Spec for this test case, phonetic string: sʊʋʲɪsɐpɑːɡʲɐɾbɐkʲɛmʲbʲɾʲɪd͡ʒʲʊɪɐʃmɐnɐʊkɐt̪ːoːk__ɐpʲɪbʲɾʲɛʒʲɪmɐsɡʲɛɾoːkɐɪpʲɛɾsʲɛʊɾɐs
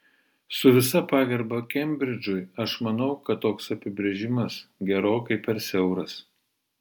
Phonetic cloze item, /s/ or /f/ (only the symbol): s